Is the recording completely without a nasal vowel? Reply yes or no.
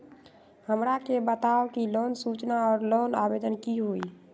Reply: yes